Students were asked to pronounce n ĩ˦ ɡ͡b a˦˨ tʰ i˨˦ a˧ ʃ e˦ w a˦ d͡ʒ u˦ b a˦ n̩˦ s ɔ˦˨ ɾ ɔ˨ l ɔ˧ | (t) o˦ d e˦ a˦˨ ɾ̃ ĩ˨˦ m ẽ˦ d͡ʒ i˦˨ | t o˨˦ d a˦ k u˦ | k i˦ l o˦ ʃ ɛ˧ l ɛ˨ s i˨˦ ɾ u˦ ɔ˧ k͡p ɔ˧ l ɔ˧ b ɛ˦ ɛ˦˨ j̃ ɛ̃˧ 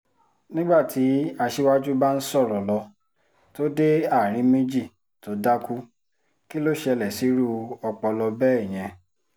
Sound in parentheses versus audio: correct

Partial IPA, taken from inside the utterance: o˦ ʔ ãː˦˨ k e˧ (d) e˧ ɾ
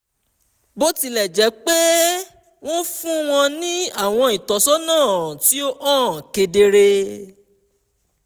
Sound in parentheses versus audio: correct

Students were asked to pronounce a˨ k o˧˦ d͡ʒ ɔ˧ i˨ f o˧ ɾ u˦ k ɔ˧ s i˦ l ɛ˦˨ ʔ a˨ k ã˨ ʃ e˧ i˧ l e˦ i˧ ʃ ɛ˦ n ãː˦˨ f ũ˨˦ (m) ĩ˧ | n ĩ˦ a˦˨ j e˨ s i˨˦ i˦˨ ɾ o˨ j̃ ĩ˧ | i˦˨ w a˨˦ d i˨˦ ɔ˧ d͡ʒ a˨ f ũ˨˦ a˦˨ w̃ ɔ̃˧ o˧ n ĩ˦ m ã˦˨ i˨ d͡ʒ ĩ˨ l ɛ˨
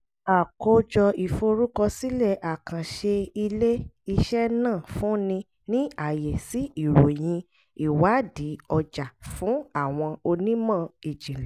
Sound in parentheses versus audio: incorrect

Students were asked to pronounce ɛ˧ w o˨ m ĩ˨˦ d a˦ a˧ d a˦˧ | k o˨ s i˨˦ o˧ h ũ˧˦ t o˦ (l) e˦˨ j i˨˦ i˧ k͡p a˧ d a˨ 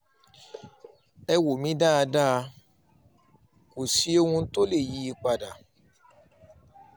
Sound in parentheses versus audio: correct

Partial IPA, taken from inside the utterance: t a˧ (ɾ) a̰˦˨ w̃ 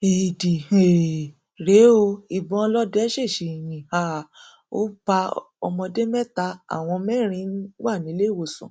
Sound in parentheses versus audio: incorrect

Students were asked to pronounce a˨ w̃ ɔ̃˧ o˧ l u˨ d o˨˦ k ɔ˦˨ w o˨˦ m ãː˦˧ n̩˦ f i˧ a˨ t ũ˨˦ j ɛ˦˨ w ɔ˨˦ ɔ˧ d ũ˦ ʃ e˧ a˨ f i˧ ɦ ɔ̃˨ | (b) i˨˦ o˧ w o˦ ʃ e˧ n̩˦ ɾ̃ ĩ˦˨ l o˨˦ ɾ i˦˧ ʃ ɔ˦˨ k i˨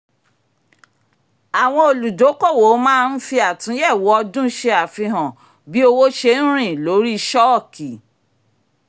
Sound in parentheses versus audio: correct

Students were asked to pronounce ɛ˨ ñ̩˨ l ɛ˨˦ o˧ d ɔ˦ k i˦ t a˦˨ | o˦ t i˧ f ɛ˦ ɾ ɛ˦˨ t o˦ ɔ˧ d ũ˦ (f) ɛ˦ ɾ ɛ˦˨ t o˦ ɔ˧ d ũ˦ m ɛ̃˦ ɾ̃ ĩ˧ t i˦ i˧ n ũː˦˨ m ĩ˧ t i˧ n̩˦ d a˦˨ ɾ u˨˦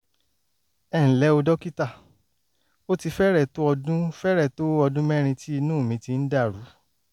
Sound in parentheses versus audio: correct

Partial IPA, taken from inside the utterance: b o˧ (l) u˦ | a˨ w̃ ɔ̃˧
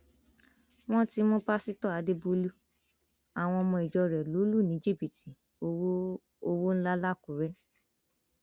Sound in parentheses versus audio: correct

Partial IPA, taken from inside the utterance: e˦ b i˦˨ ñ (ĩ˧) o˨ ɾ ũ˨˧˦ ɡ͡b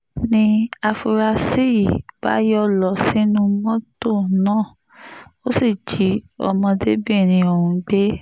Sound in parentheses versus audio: correct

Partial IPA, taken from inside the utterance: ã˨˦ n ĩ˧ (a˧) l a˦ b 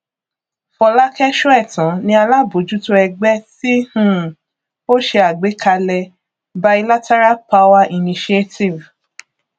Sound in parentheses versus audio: correct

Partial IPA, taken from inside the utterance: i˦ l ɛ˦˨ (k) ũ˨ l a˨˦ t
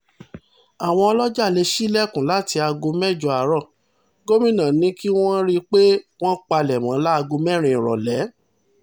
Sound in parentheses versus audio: correct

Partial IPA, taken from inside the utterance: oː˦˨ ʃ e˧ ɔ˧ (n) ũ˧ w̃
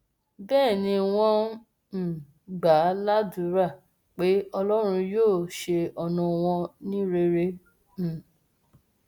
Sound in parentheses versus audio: correct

